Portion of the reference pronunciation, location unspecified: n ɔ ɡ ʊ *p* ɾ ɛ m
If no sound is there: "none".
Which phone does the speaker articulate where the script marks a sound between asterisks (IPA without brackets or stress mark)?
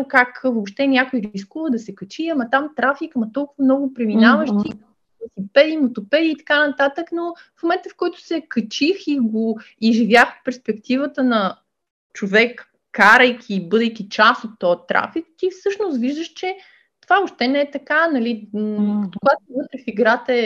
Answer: p